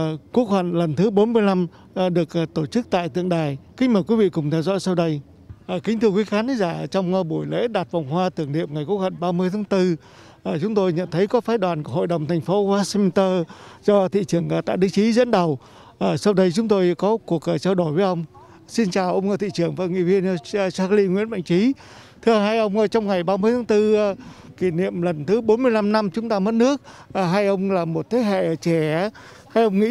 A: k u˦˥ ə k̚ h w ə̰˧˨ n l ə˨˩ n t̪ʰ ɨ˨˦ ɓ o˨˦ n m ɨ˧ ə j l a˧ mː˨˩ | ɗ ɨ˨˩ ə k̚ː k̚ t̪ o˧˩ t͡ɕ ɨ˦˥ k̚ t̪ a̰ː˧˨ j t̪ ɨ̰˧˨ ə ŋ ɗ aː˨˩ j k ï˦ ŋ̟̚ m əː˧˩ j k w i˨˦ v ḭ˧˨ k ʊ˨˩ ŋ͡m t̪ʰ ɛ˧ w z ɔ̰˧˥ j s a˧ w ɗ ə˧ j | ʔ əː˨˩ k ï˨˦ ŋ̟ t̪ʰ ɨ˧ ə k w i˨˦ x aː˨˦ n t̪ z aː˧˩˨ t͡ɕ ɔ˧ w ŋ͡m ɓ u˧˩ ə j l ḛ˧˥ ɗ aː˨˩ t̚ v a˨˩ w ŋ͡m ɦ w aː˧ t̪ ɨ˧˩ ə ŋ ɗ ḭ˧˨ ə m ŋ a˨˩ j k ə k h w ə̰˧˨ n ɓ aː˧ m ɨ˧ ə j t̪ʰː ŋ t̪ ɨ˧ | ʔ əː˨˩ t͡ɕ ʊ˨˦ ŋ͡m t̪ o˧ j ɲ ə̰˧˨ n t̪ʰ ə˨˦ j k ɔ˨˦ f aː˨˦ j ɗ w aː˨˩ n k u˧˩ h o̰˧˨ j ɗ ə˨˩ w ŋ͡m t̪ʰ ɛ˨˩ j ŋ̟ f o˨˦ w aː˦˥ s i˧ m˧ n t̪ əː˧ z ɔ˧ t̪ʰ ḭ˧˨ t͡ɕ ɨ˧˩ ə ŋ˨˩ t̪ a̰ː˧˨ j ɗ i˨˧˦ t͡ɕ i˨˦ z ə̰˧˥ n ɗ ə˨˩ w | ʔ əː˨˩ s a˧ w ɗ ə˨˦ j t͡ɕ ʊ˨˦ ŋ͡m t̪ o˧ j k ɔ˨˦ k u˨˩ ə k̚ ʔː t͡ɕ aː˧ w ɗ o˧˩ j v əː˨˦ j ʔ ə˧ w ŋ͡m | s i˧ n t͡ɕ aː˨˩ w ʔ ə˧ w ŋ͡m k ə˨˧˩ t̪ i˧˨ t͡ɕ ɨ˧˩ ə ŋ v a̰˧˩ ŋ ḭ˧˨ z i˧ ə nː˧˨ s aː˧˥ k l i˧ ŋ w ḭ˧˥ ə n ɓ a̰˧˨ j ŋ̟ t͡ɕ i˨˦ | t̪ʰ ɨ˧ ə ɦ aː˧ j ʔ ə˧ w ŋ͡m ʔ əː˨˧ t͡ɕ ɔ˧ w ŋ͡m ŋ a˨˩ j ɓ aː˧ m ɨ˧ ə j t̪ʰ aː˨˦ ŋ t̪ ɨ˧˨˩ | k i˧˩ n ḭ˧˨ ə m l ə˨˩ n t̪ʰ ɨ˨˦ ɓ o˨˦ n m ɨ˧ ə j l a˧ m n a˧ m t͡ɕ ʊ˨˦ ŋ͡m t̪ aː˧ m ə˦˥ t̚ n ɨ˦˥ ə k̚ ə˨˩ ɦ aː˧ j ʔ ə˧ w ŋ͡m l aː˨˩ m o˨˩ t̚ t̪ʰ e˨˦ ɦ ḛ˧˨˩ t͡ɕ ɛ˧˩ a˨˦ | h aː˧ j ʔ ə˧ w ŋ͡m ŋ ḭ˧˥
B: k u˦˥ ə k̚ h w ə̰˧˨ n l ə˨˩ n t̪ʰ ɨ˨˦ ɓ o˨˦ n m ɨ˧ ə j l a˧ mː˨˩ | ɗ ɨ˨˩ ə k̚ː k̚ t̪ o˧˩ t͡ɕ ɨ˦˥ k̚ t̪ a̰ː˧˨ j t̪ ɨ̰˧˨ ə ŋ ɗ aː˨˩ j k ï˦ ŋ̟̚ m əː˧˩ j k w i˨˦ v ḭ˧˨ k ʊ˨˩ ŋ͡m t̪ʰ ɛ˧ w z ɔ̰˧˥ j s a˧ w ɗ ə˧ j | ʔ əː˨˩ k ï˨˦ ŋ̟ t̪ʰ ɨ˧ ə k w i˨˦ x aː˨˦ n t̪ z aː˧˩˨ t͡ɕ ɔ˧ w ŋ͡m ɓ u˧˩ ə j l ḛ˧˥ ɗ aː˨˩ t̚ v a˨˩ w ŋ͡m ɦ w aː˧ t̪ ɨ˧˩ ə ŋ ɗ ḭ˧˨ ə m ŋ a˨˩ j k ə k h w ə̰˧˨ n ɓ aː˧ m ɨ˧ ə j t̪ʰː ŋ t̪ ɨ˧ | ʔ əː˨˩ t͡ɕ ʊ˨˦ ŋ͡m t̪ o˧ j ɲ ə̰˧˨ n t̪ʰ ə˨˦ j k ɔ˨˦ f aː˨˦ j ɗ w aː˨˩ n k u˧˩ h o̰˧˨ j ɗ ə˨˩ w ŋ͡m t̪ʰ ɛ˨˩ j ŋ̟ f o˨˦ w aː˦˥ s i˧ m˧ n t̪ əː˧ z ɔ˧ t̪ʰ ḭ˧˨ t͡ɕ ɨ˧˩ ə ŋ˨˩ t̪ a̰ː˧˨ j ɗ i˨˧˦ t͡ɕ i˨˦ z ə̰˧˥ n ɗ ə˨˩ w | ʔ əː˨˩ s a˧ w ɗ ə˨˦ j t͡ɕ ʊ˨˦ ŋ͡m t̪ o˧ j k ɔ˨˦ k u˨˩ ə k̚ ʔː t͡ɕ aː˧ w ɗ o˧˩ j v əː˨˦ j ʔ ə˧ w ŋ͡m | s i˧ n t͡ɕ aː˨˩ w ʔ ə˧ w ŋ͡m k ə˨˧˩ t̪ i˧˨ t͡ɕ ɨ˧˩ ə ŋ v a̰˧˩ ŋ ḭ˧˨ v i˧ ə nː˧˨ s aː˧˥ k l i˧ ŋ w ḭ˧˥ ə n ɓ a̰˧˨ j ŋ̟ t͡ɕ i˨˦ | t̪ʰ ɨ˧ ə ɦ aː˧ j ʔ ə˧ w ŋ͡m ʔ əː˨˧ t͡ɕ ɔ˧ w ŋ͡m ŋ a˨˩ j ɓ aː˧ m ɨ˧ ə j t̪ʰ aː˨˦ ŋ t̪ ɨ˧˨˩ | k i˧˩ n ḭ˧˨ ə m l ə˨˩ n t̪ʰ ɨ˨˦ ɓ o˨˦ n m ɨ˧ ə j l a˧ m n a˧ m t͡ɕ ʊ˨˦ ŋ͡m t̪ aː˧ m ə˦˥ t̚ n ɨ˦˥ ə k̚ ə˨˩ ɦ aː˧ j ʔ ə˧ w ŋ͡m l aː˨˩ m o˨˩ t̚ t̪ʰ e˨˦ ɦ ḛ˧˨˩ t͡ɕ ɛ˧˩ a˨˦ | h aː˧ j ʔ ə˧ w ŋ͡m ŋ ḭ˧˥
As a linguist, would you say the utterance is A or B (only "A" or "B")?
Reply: B